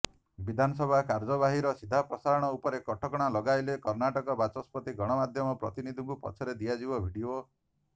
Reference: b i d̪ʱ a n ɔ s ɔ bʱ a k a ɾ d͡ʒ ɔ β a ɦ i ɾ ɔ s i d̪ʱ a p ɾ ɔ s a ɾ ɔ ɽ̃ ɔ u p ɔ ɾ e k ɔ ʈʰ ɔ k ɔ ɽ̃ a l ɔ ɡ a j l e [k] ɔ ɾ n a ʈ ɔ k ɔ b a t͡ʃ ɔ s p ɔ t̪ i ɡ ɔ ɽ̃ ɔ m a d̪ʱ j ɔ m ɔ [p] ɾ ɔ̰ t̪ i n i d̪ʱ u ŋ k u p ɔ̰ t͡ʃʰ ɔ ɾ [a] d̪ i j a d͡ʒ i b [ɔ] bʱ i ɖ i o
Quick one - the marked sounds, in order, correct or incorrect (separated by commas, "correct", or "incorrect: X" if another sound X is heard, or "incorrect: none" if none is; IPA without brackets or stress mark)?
correct, correct, incorrect: e, correct